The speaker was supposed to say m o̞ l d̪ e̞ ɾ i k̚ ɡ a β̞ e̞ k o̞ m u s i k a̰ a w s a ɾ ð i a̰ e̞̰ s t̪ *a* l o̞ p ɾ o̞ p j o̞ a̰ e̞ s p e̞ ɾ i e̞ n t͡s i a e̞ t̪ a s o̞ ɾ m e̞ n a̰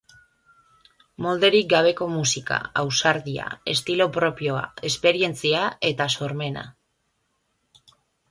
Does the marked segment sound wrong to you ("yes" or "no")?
yes